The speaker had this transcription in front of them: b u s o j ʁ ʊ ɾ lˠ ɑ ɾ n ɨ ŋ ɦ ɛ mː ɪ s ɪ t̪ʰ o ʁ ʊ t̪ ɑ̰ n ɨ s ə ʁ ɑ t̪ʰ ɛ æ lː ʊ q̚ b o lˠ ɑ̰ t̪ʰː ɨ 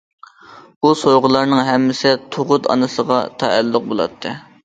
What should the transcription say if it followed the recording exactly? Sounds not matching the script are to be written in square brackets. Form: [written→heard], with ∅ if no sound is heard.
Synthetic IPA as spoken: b u s o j ʁ ʊ [ɾ→∅] lˠ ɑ ɾ n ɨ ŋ ɦ ɛ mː ɪ s ɪ t̪ʰ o ʁ ʊ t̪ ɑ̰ n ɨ s ə ʁ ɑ t̪ʰ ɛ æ lː ʊ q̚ b o lˠ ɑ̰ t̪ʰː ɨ